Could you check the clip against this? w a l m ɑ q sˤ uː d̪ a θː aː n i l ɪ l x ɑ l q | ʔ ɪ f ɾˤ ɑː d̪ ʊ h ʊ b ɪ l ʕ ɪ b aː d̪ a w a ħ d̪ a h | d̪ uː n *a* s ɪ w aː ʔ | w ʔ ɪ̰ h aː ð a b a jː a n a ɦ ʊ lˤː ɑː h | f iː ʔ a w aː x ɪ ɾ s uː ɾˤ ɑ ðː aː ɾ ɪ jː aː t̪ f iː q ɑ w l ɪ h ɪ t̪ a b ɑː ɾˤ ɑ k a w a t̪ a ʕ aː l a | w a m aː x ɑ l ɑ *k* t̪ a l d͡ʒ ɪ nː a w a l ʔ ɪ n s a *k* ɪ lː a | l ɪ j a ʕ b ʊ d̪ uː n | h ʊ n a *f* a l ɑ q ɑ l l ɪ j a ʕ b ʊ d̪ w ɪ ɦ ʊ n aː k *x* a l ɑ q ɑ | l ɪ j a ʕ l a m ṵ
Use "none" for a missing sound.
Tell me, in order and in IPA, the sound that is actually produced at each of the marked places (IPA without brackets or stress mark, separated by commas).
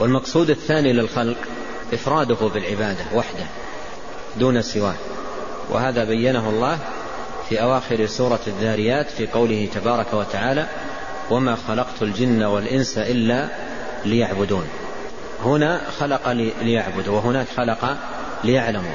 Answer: a, q, ʔ, x, x